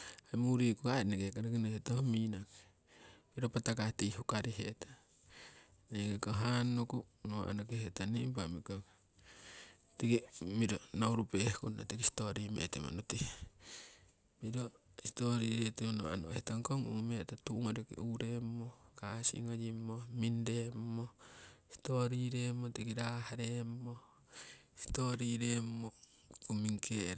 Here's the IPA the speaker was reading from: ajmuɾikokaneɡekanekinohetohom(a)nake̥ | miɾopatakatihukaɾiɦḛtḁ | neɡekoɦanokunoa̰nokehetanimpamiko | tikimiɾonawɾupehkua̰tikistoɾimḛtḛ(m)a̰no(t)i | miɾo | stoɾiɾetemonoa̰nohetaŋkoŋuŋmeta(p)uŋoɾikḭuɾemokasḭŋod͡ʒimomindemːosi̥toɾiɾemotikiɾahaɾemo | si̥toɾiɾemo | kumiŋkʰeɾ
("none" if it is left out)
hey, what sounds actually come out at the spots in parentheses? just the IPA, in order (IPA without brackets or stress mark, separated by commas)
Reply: i, m, t, t